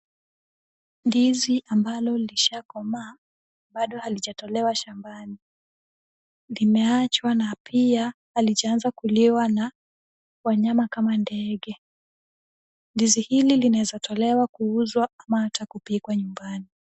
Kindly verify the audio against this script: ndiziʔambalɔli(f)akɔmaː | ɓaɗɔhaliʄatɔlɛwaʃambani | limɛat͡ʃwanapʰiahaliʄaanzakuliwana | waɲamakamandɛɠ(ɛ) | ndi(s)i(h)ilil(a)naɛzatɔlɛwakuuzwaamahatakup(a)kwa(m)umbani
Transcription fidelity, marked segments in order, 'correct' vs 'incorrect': incorrect: ʃ, correct, incorrect: z, correct, incorrect: i, incorrect: i, incorrect: ɲ

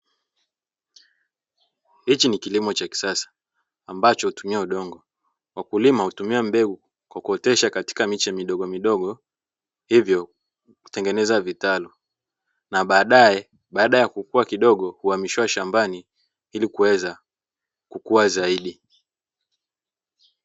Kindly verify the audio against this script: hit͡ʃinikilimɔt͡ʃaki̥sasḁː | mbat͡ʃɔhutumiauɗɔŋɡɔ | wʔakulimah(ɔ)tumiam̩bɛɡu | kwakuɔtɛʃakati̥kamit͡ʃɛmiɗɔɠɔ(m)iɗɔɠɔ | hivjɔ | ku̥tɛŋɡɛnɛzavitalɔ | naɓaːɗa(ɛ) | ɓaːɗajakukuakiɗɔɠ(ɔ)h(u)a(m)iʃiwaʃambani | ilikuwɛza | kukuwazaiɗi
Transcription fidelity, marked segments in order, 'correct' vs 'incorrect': incorrect: u, correct, correct, correct, correct, correct

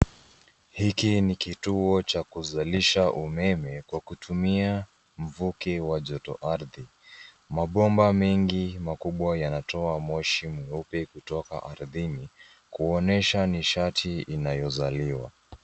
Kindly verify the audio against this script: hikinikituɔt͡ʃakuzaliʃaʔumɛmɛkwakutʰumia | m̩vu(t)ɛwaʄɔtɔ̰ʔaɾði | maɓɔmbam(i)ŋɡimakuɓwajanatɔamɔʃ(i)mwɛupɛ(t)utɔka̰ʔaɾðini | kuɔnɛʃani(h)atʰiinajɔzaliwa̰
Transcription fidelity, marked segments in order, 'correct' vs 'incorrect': incorrect: k, incorrect: ɛ, correct, incorrect: k, incorrect: ʃ

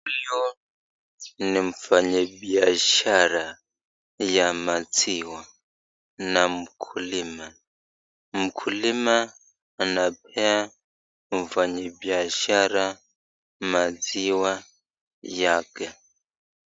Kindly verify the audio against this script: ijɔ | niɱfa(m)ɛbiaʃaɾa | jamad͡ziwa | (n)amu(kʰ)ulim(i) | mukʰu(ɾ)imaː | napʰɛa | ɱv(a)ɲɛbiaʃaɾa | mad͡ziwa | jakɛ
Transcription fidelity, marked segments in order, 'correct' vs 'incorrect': incorrect: ɲ, correct, correct, incorrect: a, incorrect: l, correct

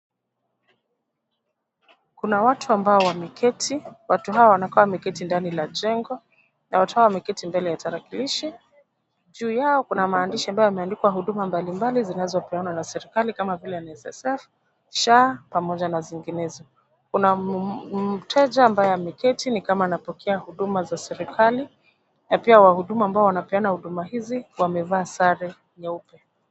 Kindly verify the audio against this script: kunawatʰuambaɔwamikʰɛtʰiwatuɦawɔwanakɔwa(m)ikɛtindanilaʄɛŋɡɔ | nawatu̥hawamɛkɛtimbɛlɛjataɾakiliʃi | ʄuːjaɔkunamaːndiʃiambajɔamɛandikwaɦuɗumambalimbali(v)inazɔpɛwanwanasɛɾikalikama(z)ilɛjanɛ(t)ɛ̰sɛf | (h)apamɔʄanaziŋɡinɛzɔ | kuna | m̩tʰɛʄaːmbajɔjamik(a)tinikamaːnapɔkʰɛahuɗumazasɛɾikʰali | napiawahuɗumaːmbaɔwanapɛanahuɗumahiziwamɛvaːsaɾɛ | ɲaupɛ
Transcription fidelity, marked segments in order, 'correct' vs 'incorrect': correct, incorrect: z, incorrect: v, incorrect: s, incorrect: ʃ, incorrect: ɛ

